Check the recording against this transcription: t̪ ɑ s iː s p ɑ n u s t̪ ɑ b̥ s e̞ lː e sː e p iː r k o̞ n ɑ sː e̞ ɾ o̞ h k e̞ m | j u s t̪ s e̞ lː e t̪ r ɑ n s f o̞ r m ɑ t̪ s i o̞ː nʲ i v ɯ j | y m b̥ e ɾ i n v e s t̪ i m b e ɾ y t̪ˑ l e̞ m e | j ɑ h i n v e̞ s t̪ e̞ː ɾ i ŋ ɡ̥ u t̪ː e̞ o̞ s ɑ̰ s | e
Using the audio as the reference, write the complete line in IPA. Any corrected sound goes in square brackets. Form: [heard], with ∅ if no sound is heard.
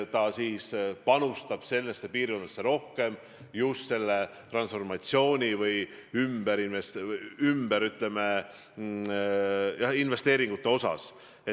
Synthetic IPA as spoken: t̪ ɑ s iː s p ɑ n u s t̪ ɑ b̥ s e̞ lː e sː e p iː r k o̞ n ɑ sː e̞ ɾ o̞ h k e̞ m | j u s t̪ s e̞ lː e t̪ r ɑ n s f o̞ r m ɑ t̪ s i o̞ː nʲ i v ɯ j | y m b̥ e ɾ i n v e s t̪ [y] m b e ɾ y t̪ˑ l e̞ m e | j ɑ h i n v e̞ s t̪ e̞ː ɾ i ŋ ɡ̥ u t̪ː e̞ o̞ s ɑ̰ s | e